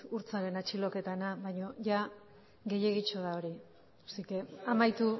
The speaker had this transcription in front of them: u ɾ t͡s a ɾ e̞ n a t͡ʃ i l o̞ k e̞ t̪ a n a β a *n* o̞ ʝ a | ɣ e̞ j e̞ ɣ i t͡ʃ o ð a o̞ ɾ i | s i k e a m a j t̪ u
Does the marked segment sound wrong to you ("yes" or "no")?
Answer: yes